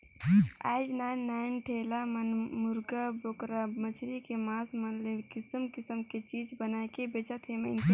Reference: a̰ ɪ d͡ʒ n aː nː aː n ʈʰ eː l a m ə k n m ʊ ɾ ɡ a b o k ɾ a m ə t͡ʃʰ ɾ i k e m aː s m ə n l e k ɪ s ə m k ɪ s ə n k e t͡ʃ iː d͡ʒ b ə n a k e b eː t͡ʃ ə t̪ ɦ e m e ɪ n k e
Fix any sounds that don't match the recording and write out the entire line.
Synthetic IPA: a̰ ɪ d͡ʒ n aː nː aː n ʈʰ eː l a m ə n m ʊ ɾ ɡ a b o k ɾ a m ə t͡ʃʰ ɾ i k e m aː s m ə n l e k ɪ s ə m k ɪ s ə m k e t͡ʃ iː d͡ʒ b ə n a k e b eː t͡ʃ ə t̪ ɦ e m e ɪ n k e